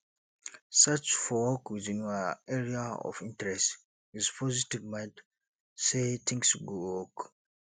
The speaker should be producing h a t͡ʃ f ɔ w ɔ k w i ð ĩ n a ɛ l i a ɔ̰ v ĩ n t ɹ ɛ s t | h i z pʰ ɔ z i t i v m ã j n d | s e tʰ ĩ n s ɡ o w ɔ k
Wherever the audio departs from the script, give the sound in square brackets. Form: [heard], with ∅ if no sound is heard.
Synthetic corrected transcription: [s] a t͡ʃ f ɔ w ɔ k w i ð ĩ n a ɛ [ɹ] i a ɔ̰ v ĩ n t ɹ ɛ s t | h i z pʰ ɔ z i t i v m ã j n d | s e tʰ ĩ [ŋ] s ɡ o w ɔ k